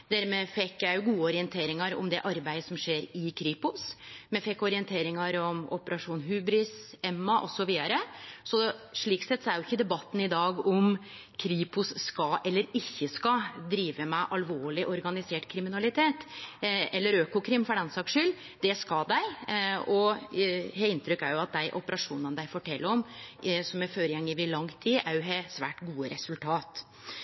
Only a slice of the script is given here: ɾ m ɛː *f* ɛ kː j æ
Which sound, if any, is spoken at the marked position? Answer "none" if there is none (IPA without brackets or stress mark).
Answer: f